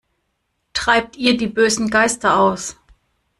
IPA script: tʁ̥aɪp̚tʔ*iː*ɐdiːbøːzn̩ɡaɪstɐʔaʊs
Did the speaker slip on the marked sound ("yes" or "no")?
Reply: no